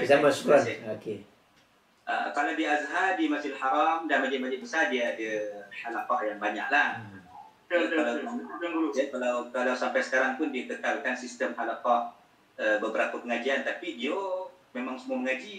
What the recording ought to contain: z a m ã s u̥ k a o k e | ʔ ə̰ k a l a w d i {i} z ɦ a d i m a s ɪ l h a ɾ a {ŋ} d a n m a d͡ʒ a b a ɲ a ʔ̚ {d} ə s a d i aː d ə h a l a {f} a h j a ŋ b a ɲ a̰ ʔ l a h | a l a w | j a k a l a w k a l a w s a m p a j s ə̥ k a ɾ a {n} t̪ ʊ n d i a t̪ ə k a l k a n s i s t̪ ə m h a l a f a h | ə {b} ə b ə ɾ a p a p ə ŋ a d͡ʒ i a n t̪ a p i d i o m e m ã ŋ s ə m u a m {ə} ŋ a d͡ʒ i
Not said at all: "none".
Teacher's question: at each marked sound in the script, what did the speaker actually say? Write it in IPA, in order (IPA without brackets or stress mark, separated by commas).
a, m, b, f, ŋ, b, ə